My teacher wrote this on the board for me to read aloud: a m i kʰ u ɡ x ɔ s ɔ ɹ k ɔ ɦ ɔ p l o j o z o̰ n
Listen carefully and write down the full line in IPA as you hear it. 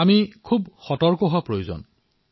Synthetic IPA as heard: a m i kʰ u b x ɔ t ɔ ɹ k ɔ ɦ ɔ p ɹ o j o z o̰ n